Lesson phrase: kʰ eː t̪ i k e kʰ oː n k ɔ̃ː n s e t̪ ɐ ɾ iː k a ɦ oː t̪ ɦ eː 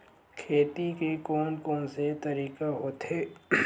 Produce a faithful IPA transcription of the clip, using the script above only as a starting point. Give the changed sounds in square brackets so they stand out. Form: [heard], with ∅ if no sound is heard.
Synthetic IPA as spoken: kʰ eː t̪ i k e [k] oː n k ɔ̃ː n s e t̪ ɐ ɾ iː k a ɦ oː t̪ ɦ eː